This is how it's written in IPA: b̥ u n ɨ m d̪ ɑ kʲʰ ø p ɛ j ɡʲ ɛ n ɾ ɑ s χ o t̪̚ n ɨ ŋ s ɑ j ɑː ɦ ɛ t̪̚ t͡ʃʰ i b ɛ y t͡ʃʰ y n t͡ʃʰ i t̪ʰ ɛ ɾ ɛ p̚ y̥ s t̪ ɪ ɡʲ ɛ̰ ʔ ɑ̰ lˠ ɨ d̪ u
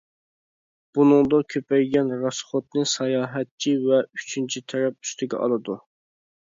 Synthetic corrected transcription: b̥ u n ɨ ŋ d̪ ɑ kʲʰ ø p ɛ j ɡʲ ɛ n ɾ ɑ s χ o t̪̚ n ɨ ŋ s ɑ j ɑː ɦ ɛ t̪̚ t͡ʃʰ i v ɛ y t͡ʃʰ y n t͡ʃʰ i t̪ʰ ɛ ɾ ɛ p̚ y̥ s t̪ ɪ ɡʲ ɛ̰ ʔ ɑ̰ lˠ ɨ d̪ u